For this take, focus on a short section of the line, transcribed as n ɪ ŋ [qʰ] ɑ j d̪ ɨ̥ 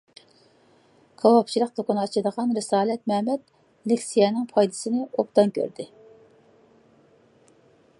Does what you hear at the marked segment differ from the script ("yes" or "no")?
yes